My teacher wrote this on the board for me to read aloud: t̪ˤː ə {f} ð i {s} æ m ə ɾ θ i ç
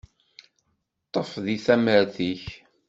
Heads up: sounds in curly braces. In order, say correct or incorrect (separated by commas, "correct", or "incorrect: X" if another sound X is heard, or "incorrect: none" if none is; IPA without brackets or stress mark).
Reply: correct, incorrect: θ